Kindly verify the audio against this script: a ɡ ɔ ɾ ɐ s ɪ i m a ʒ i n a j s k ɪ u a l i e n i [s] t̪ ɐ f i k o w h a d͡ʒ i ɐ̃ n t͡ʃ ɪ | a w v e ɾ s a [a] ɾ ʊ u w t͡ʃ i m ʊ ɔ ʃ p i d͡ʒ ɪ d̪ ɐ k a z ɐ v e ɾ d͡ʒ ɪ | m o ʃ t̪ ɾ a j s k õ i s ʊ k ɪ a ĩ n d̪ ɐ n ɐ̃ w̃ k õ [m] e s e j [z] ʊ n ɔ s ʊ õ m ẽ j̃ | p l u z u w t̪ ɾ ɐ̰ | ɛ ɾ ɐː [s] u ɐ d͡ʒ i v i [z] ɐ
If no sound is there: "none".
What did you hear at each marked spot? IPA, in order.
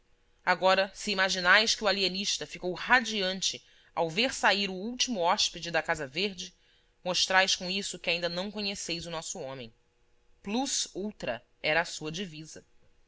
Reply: ʃ, i, ɲ, z, s, z

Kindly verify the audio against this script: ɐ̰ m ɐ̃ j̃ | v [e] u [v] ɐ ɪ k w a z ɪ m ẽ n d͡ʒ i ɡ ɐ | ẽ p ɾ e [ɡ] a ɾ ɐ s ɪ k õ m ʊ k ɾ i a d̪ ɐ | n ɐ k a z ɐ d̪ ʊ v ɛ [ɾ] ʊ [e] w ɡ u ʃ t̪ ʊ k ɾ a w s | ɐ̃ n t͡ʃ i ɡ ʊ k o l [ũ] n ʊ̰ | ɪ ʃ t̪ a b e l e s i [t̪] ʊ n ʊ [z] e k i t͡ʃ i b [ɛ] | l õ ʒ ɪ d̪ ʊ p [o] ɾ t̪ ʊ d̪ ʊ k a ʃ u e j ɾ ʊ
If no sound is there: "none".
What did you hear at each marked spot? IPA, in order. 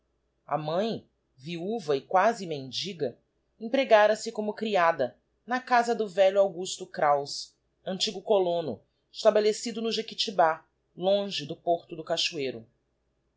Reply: i, v, ɡ, ʎ, a, õ, d̪, ʒ, a, o

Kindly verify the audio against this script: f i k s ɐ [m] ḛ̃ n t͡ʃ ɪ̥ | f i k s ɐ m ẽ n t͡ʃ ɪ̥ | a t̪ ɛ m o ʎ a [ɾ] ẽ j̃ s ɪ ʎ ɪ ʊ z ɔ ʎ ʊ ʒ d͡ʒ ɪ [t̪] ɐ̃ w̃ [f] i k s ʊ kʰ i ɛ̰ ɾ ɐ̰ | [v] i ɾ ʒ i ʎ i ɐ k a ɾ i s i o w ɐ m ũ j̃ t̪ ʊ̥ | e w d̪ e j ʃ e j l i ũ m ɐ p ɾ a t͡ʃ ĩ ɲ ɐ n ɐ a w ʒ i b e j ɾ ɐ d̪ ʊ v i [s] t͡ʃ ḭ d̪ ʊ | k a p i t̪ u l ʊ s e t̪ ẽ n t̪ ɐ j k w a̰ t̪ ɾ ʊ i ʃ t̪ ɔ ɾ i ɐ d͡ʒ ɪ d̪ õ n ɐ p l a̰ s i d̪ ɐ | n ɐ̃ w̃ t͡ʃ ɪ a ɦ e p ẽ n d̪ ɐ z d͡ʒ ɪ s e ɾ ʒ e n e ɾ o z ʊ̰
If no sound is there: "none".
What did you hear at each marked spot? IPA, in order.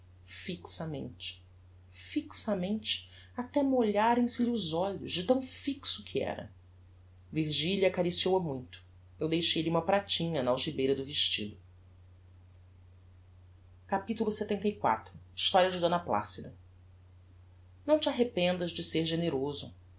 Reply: m, ɾ, t̪, f, v, ʃ

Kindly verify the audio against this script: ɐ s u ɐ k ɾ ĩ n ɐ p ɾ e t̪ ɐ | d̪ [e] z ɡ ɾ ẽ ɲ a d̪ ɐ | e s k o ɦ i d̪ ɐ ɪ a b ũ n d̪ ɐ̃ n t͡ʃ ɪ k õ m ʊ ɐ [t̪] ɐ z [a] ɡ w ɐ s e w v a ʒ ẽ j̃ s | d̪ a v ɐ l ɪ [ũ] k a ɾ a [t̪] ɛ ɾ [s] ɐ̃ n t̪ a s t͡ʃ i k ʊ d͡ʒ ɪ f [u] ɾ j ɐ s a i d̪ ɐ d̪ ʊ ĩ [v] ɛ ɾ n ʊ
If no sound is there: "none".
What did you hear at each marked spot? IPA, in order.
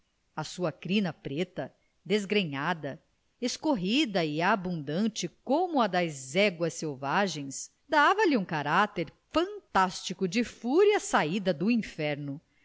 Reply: e, d̪, ɛ, ũ, t̪, f, u, f

